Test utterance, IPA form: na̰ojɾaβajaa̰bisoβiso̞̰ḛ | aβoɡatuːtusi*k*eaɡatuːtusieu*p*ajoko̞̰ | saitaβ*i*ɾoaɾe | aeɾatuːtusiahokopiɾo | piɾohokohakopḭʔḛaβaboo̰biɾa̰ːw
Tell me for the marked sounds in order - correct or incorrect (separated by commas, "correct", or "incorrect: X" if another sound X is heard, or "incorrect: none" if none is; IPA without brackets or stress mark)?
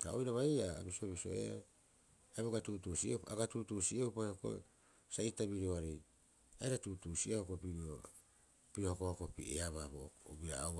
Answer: incorrect: none, correct, correct